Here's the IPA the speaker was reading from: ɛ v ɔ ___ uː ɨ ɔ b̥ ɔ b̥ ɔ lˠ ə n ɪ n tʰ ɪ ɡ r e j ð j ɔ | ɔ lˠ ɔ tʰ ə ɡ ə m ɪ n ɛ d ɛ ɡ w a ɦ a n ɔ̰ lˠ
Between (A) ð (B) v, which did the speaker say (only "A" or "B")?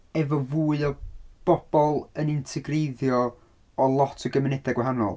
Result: B